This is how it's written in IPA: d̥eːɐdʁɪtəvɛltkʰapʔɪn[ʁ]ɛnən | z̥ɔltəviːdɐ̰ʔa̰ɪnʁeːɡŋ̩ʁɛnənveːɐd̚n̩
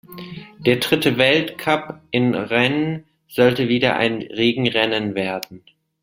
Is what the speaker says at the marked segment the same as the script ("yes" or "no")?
yes